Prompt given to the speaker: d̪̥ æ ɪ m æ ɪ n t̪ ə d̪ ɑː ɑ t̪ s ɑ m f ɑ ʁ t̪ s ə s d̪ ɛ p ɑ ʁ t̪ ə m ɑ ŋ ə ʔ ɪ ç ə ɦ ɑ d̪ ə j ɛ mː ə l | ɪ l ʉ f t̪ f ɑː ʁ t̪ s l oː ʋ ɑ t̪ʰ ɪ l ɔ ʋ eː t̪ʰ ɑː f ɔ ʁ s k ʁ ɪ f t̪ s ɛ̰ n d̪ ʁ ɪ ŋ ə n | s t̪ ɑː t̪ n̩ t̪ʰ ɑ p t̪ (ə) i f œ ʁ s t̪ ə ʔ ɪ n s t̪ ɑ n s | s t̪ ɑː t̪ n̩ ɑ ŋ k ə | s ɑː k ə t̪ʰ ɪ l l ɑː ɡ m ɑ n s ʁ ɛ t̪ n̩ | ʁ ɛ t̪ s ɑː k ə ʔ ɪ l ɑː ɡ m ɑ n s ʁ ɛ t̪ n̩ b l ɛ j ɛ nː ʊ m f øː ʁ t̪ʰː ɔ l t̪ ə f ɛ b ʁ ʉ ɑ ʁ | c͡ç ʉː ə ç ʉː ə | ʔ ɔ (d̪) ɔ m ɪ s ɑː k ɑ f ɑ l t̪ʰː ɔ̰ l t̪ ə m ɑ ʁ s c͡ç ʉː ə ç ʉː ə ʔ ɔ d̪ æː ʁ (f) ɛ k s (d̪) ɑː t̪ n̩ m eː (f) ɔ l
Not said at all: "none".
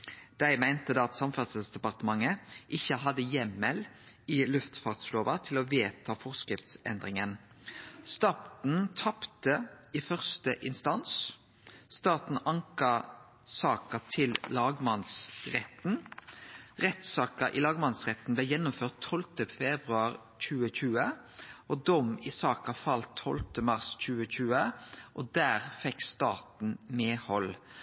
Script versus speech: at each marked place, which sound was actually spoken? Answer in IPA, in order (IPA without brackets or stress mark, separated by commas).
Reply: ə, d̪, f, t̪, h